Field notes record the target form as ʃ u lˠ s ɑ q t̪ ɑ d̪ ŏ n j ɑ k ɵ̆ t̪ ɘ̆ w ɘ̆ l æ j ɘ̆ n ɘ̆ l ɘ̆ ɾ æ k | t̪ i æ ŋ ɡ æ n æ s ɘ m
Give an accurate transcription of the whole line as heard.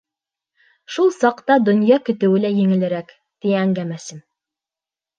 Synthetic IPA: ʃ u lˠ s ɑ q t̪ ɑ d̪ ŏ n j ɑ k ɵ̆ t̪ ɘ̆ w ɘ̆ l æ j ɘ̆ ŋ ɘ̆ l ɘ̆ ɾ æ k | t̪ i æ ŋ ɡ æ m æ s ɘ m